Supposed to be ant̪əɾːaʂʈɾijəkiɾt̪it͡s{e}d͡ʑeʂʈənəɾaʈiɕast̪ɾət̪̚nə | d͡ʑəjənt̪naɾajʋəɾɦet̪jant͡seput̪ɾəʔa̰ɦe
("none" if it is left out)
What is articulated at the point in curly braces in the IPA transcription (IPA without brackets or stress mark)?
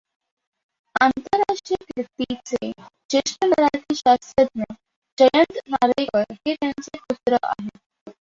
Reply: e